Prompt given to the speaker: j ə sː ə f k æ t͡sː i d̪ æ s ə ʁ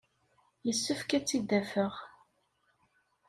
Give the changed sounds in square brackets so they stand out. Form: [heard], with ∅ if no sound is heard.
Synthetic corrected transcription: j ə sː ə f k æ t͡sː i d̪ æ [f] ə ʁ